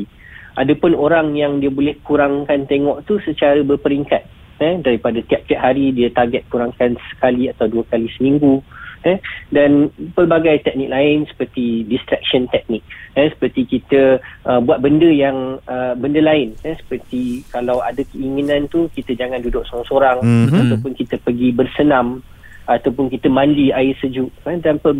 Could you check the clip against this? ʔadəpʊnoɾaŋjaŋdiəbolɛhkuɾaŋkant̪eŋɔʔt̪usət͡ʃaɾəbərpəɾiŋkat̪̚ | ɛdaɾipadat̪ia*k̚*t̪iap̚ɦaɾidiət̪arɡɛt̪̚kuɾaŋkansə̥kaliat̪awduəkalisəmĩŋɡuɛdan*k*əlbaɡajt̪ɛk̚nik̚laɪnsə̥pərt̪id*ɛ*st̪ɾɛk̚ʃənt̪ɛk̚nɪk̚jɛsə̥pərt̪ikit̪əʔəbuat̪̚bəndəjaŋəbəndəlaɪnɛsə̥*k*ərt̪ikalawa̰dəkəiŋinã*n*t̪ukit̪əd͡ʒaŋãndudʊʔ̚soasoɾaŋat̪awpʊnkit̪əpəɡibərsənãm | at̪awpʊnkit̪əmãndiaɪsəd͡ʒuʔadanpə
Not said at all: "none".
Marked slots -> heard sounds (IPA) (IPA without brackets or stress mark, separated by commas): p̚, p, i, p, n